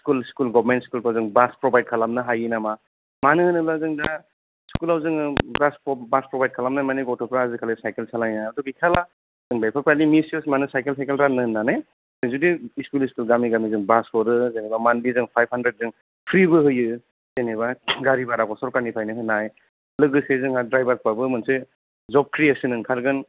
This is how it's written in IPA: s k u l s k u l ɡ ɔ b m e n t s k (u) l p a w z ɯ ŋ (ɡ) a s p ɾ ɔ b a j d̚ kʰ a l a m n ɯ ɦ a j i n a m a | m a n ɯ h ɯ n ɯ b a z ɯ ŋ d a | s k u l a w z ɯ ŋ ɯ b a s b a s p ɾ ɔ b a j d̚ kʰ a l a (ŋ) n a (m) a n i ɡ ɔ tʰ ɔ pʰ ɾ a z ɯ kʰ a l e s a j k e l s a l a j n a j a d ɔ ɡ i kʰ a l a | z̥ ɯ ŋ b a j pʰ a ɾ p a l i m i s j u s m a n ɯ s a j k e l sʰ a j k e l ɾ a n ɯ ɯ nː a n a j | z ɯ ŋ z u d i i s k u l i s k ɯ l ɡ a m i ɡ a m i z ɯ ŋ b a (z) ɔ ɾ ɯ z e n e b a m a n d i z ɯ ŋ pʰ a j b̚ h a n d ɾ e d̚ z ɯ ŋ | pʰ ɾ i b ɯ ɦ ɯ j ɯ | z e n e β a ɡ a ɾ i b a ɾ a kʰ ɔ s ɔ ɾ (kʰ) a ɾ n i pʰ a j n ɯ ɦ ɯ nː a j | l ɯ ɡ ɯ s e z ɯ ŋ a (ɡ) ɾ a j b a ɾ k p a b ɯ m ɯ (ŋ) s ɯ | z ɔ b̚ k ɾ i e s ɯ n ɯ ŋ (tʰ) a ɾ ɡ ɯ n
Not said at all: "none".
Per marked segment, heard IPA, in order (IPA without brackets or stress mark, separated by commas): u, b, m, m, s, k, d, n, kʰ